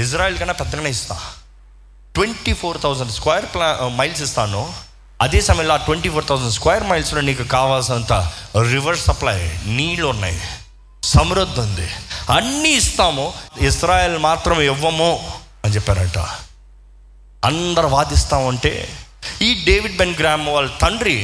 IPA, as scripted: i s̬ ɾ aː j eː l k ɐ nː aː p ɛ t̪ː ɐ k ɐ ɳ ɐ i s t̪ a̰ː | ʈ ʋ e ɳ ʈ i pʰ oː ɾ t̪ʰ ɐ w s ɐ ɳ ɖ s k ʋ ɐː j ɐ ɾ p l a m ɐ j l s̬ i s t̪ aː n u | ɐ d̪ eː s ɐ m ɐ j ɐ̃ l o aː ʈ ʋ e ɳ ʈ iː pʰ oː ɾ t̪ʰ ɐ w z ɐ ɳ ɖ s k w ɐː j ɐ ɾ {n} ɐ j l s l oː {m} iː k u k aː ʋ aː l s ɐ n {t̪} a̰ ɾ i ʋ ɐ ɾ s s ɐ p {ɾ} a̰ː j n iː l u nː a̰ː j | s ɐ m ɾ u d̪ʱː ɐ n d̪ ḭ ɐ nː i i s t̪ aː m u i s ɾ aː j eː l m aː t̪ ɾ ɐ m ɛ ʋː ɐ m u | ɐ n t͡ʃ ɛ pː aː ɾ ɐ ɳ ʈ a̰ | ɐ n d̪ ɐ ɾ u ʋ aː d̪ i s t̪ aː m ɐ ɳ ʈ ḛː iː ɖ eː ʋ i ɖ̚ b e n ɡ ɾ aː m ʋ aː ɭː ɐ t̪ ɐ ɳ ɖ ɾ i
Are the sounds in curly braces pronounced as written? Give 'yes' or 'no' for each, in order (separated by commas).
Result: no, no, yes, no